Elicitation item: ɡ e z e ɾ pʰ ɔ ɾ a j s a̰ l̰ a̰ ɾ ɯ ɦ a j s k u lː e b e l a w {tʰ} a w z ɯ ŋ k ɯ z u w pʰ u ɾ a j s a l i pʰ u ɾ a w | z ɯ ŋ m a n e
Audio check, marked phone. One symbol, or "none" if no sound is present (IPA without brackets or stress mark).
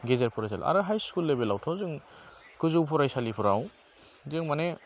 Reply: tʰ